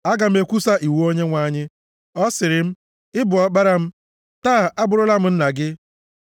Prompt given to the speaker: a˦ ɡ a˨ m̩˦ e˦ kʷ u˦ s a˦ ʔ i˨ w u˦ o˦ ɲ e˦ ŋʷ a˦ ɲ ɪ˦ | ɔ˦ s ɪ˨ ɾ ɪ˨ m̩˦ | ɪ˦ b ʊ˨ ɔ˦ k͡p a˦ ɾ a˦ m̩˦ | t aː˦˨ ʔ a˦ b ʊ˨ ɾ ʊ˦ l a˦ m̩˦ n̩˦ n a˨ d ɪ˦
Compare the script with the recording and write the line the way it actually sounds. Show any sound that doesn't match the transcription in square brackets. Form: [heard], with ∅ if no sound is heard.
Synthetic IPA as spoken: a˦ ɡ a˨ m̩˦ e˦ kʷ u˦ s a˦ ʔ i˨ w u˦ o˦ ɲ e˦ ŋʷ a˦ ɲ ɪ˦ | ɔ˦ s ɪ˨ ɾ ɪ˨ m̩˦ | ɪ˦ b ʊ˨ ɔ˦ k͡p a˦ ɾ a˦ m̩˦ | t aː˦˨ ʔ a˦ b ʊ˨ ɾ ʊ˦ l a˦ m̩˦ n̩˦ n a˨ [ɡ] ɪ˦